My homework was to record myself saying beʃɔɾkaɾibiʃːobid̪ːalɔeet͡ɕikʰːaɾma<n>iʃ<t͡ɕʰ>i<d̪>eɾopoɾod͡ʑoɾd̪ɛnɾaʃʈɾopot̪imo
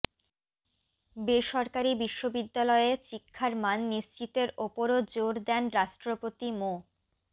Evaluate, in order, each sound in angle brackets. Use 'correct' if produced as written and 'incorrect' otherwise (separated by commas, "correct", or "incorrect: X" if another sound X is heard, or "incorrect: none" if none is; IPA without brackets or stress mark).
incorrect: nː, incorrect: t͡ɕ, incorrect: t̪